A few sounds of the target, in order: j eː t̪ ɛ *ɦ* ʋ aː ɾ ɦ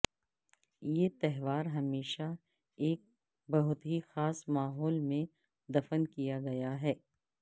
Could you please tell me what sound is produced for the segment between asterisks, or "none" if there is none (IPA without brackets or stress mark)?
ɦ